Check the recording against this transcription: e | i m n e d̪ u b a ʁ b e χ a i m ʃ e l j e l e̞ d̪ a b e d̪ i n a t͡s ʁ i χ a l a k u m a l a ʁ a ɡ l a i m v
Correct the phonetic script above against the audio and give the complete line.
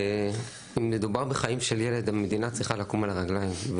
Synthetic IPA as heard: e | i m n e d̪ u b a ʁ b e χ a i m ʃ e l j e l e̞ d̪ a m e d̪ i n a t͡s ʁ i χ a l a k u m a l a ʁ a ɡ l a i m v